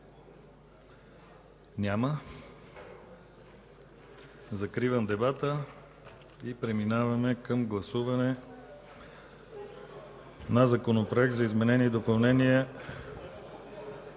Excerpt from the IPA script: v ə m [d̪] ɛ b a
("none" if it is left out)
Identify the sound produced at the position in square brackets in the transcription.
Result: d̪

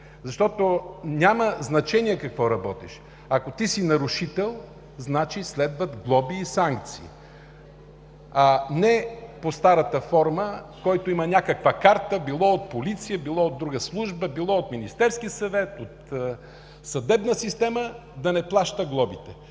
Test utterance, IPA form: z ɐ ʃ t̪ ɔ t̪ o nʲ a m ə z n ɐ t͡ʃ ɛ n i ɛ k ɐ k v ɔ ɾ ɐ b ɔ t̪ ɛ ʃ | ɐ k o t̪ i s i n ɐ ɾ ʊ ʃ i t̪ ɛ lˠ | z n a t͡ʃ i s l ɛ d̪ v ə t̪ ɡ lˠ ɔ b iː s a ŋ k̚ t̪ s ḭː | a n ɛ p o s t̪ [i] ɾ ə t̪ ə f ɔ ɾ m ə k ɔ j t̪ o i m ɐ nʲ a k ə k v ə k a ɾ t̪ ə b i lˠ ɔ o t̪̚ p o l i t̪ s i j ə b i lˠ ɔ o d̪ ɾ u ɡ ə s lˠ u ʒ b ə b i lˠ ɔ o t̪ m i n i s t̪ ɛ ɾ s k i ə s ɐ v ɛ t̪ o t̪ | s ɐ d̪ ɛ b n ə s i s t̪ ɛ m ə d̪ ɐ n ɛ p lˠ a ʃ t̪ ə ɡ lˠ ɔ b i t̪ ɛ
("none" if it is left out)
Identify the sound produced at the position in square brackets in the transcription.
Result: a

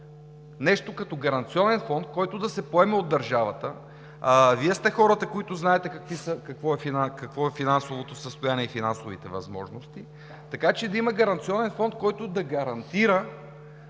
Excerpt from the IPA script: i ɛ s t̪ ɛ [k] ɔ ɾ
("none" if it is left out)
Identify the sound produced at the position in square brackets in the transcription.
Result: x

